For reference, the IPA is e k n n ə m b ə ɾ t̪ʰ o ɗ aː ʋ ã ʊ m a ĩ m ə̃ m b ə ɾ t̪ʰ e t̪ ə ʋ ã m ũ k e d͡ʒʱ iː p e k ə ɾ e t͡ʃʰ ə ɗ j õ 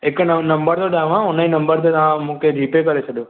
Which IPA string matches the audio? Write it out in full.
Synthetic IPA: e k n n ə m b ə ɾ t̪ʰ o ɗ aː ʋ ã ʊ n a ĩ n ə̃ m b ə ɾ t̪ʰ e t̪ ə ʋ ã m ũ k e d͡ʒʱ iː p e k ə ɾ e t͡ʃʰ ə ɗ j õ

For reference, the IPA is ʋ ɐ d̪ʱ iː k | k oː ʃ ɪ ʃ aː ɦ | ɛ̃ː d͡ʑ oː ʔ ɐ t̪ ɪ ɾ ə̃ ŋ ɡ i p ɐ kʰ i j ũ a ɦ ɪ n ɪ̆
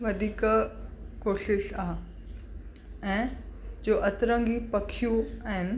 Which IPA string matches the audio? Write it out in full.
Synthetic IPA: ʋ ɐ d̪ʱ iː k | k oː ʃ ɪ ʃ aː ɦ | ɛ̃ː d͡ʑ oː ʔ ɐ t̪ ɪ ɾ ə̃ ŋ ɡ i p ɐ kʰ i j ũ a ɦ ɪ n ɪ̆

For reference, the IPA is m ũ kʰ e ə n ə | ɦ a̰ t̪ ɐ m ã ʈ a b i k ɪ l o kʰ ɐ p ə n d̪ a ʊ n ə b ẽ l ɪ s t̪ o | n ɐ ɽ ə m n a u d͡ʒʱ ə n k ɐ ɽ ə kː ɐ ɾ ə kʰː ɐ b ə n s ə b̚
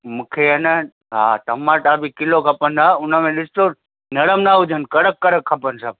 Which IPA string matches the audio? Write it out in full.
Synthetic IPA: m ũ kʰ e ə n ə | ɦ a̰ t̪ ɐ m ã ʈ a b i k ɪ l o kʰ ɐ p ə n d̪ a ʊ n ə m ẽ l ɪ s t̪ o | n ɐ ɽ ə m n a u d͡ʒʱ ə n k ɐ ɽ ə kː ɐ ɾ ə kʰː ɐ p ə n s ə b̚

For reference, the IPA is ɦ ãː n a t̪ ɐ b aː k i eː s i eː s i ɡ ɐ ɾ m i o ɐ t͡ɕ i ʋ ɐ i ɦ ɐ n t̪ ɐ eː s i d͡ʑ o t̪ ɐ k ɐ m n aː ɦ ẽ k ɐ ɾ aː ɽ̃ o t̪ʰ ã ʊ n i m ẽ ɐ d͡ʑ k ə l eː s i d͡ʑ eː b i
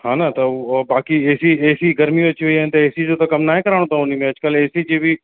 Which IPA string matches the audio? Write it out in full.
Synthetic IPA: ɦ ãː n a t̪ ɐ b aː k i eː s i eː s i ɡ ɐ ɾ m i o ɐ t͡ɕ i ʋ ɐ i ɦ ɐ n t̪ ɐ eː s i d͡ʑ o t̪ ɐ k ɐ m n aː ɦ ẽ k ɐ ɾ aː ɽ̃ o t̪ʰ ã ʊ n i m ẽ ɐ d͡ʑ k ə l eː s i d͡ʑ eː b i

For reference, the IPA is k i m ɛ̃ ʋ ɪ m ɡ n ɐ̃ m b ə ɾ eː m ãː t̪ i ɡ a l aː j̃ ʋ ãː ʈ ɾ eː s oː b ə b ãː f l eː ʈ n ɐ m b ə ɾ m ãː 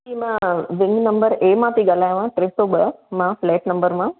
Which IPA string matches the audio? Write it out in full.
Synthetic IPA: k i m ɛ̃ ʋ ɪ ŋ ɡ n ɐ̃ m b ə ɾ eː m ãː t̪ i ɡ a l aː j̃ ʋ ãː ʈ ɾ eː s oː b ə m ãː f l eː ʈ n ɐ m b ə ɾ m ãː

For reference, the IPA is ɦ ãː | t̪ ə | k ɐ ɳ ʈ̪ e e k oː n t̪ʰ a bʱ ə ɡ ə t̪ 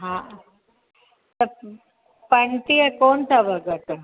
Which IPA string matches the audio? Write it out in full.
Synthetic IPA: ɦ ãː | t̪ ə | p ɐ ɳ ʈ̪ i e k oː n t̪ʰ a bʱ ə ɡ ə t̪

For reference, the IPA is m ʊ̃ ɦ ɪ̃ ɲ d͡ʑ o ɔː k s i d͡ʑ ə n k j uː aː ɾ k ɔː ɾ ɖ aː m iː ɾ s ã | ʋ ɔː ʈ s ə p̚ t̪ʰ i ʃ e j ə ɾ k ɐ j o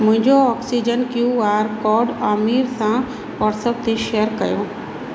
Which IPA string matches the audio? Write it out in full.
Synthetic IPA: m ʊ̃ ɦ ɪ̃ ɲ d͡ʑ o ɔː k s i d͡ʑ ə n k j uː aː ɾ k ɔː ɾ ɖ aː m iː ɾ s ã | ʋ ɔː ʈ s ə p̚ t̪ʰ e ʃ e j ə ɾ k ɐ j o

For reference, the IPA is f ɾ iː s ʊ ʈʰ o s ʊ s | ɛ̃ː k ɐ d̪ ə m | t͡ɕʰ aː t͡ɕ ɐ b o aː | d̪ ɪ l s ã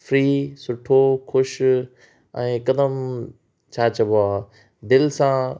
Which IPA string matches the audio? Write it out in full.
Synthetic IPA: f ɾ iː s ʊ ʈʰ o x ʊ ʃ | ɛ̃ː k ɐ d̪ ə m | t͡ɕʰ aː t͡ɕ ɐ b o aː | d̪ ɪ l s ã

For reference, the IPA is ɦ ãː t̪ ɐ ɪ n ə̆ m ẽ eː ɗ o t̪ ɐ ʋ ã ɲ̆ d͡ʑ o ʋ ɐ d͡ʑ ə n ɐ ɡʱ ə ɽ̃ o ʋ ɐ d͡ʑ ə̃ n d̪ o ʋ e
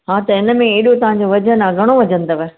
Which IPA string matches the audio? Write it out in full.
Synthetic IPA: ɦ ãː t̪ ɐ ɪ n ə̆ m ẽ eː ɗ o t̪ ɐ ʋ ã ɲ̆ d͡ʑ o ʋ ɐ d͡ʑ ə n ɐ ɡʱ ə ɽ̃ o ʋ ɐ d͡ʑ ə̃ n d̪ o ʋ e

